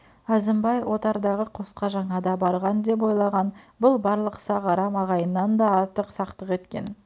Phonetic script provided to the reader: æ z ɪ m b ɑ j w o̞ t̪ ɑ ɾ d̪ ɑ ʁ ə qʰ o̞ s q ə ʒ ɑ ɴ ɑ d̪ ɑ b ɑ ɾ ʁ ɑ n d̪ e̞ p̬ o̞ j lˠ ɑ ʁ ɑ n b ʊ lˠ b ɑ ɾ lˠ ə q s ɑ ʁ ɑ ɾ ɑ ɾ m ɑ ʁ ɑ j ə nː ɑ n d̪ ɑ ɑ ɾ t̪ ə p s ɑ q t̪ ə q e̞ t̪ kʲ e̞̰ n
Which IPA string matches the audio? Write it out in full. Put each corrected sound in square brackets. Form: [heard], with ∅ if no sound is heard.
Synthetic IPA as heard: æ z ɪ m b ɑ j w o̞ t̪ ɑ ɾ d̪ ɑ ʁ ə qʰ o̞ s q [ɑ] ʒ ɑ ɴ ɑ d̪ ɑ b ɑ ɾ ʁ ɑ n d̪ e̞ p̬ o̞ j lˠ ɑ ʁ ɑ n b ʊ lˠ b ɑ ɾ lˠ ə q s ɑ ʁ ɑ ɾ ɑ [∅] m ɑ ʁ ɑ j ə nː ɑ n d̪ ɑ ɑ ɾ t̪ ə [q] s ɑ q t̪ ə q e̞ t̪ kʲ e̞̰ n